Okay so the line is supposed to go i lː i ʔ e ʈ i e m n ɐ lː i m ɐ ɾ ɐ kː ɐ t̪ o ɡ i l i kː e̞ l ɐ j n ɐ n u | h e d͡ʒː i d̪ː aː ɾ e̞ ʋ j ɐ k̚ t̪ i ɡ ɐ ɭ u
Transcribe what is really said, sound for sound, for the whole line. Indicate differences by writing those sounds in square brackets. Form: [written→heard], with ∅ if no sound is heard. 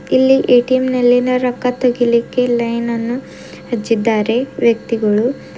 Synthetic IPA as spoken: i lː i ʔ e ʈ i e m n ɐ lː i [m→n] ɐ ɾ ɐ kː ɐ t̪ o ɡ i l i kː e̞ l ɐ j n ɐ [n→nː] u | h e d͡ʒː i d̪ː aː ɾ e̞ ʋ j ɐ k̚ t̪ i ɡ ɐ ɭ u